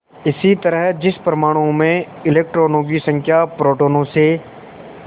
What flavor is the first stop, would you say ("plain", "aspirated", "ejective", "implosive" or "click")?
plain